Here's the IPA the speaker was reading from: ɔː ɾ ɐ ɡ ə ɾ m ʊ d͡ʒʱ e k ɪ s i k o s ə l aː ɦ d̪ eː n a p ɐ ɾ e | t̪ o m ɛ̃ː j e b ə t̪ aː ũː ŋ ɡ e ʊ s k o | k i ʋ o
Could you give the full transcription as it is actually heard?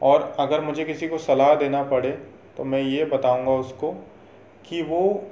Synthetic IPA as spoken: ɔː ɾ ɐ ɡ ə ɾ m ʊ d͡ʒʱ e k ɪ s i k o s ɐ l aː ɦ d̪ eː n a p ɐ ɽ e | t̪ o m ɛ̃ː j e b ɐ t̪ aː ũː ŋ ɡ a ʊ s k o | k i ʋ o